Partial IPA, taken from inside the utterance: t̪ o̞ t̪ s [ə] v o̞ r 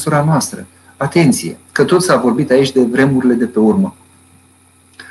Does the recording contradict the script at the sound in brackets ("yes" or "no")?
yes